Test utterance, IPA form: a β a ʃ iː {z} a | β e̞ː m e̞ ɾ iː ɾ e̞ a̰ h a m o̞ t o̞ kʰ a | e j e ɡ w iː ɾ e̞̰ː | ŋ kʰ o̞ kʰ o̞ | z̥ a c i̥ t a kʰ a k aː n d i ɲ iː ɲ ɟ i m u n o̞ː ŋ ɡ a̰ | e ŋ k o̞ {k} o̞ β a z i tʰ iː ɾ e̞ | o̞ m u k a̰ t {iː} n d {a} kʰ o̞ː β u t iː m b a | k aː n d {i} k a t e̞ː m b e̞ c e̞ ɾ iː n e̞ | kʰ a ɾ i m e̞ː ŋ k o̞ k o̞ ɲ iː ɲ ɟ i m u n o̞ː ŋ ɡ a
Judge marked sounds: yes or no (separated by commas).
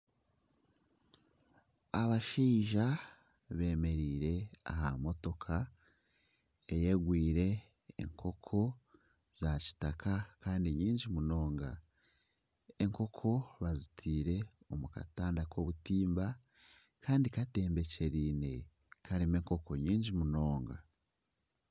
no, no, no, yes, yes